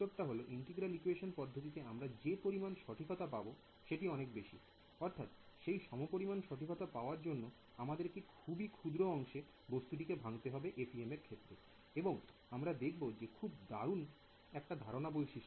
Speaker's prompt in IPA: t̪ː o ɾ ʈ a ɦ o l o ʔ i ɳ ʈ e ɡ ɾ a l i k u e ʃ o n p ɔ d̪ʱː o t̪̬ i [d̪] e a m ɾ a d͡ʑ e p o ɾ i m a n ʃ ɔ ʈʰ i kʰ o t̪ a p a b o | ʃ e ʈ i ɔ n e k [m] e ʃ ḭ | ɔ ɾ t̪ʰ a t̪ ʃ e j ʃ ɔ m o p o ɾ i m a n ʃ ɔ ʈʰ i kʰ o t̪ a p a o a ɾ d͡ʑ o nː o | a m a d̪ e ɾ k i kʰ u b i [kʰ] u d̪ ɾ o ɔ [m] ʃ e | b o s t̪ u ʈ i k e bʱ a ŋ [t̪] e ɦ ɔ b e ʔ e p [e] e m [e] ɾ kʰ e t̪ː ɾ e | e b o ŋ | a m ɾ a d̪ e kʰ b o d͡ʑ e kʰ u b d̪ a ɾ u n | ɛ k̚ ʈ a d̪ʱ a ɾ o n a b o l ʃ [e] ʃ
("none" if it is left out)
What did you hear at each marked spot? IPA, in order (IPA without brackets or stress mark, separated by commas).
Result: t̪, b, kʰ, ŋ, t̪, i, e, i